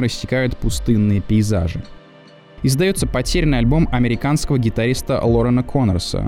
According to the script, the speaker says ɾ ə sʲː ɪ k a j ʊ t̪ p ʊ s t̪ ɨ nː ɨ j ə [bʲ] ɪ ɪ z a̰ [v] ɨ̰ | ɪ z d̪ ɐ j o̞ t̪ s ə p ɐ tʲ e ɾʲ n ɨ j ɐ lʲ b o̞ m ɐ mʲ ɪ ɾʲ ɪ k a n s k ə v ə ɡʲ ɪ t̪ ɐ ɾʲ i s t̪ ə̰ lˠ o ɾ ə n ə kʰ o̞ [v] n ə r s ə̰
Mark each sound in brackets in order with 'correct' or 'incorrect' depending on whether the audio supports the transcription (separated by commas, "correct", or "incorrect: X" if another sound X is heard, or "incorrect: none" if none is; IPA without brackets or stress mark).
incorrect: pʲ, incorrect: ʐ, incorrect: none